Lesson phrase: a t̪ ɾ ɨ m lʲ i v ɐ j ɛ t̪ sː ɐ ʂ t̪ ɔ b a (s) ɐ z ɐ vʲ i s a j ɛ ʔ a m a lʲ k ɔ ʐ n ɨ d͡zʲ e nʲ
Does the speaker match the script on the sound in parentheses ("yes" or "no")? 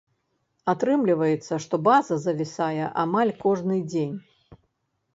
no